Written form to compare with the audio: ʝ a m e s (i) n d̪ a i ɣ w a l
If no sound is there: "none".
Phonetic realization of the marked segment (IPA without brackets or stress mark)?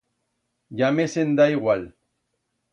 e